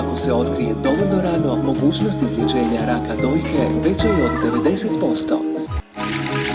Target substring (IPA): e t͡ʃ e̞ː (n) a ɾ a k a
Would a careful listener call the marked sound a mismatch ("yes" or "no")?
yes